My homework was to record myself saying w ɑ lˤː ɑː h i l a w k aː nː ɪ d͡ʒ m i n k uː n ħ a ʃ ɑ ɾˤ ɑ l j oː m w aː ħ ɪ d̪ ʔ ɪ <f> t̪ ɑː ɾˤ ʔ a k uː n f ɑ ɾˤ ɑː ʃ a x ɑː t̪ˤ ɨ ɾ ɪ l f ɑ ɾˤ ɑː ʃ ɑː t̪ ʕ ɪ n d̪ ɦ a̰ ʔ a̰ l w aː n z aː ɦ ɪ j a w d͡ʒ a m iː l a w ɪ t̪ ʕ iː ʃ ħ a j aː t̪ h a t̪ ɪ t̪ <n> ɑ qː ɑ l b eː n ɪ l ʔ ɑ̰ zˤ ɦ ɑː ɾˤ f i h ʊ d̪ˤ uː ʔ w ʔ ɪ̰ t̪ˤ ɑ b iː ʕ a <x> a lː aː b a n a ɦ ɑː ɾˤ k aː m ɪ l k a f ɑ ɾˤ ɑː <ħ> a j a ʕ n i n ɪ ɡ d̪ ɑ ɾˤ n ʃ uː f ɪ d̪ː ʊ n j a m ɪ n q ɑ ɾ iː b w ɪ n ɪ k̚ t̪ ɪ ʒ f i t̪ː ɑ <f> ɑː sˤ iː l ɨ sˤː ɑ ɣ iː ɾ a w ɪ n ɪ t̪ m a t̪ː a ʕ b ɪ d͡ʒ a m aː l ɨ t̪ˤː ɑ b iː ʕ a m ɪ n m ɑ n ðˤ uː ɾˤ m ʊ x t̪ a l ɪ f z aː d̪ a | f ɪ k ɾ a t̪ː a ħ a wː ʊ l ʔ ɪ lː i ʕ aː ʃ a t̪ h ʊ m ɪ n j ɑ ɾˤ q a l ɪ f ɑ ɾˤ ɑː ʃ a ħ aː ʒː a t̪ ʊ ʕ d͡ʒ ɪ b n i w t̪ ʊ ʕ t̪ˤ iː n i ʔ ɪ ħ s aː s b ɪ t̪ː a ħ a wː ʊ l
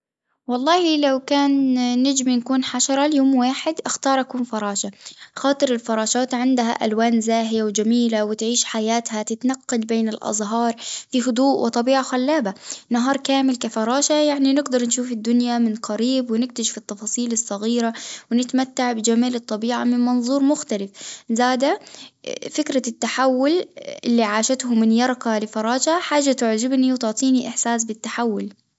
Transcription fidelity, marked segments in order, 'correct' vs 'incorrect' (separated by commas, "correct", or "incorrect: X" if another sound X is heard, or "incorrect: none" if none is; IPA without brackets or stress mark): incorrect: x, correct, correct, incorrect: ʃ, correct